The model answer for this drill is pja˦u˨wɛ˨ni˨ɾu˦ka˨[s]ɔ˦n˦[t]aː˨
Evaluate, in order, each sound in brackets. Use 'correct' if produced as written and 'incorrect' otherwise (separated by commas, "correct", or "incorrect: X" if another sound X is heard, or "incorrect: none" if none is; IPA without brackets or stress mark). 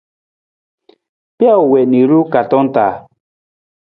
incorrect: t, correct